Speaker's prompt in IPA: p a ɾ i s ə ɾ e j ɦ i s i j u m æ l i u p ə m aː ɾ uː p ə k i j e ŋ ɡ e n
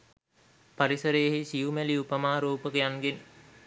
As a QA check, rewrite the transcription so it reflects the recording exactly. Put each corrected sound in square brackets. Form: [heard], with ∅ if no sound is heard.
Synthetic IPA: p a ɾ i s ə ɾ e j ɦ i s i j u m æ l i u p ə m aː ɾ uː p ə k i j [a] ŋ ɡ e n